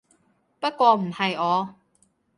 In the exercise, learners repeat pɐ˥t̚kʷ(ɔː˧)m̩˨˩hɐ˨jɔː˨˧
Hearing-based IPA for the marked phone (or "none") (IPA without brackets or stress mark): ɔː˧